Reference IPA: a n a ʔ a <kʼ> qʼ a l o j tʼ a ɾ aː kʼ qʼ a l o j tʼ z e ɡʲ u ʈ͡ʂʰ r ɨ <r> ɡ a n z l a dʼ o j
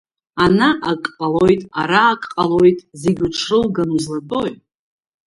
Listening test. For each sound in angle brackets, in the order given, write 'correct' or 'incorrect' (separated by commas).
correct, incorrect